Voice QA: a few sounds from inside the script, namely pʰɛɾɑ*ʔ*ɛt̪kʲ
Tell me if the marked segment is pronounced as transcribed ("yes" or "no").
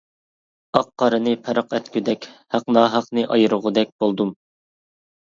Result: no